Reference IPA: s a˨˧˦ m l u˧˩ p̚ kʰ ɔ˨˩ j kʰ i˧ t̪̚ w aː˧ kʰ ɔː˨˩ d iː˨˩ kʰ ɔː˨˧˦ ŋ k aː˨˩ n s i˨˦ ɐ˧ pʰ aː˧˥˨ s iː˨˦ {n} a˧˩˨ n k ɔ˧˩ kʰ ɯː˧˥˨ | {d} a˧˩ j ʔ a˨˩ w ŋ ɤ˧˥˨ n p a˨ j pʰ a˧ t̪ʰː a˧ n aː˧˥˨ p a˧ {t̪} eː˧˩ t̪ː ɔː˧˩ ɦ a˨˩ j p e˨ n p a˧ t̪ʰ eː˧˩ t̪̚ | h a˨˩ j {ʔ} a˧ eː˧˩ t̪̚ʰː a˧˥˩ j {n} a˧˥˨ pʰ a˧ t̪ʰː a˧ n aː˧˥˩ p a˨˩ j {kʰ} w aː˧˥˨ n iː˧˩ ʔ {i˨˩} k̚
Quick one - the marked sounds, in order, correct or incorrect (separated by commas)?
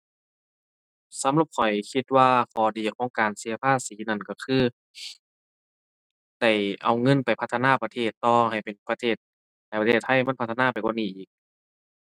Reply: correct, correct, incorrect, incorrect, incorrect, incorrect, incorrect